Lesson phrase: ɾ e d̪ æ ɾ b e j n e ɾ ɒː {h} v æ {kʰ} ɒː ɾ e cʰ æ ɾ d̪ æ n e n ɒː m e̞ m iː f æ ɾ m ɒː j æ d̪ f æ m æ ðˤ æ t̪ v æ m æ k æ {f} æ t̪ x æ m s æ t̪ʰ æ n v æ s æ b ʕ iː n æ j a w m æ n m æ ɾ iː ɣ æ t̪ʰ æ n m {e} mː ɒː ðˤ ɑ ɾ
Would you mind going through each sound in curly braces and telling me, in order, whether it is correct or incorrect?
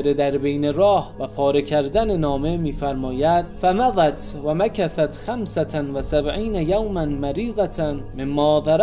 correct, incorrect: pʰ, incorrect: θ, correct

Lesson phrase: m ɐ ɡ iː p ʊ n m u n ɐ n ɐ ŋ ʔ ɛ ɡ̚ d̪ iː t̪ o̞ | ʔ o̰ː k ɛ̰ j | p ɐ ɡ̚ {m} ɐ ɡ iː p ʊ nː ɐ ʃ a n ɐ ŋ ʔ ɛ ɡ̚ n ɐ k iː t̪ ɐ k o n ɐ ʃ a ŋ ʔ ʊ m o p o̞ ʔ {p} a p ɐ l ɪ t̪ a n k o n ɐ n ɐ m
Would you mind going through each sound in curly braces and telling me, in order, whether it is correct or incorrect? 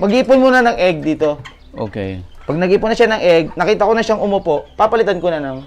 incorrect: n, correct

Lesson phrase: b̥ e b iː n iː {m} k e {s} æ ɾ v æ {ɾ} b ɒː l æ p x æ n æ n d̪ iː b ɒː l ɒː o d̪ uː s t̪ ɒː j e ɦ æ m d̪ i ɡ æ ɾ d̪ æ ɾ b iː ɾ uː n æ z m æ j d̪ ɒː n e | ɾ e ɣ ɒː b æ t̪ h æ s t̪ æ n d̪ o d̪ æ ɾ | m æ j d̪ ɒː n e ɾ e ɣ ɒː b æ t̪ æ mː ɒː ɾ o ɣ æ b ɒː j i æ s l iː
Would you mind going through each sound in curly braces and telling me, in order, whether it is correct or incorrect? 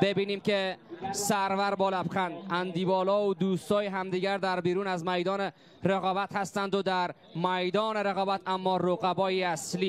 correct, correct, correct

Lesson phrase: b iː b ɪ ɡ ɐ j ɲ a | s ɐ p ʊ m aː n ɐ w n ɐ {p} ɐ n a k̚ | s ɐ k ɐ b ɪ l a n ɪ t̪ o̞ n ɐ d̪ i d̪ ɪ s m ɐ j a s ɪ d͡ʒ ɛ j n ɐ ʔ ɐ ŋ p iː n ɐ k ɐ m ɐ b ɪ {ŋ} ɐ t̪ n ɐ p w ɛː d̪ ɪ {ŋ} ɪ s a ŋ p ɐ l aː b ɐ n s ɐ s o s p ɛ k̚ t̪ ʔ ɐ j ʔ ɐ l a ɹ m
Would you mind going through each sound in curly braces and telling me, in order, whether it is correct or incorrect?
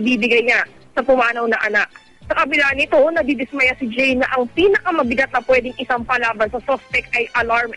incorrect: ʔ, incorrect: ɡ, correct

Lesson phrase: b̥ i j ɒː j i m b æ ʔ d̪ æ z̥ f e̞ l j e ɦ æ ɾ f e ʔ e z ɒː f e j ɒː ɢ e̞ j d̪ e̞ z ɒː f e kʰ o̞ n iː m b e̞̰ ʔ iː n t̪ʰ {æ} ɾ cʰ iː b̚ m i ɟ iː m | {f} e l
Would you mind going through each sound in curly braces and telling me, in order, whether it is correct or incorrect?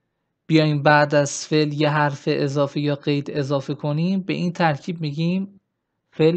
correct, correct

